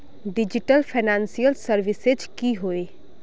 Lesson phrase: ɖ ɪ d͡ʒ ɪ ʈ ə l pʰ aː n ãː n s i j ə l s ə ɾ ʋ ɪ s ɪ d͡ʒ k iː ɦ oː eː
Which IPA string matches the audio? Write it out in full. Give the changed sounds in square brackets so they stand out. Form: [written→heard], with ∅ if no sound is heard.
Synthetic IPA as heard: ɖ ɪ d͡ʒ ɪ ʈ ə l pʰ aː n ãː n s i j ə l s ə ɾ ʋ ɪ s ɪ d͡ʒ k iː ɦ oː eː